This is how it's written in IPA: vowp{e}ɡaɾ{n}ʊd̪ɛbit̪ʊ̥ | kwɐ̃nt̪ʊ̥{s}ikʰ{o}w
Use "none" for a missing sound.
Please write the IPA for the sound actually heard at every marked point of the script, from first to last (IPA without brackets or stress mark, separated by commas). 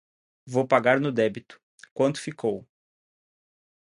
a, n, f, o